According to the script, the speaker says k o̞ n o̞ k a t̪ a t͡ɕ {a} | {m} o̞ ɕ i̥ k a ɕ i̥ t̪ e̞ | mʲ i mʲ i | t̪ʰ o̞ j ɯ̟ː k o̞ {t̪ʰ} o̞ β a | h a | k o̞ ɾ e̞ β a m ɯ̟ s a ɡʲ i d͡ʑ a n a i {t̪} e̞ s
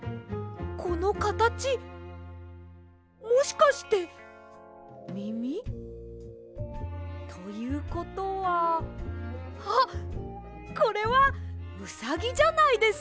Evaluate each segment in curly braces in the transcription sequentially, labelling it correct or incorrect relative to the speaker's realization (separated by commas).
incorrect, correct, incorrect, incorrect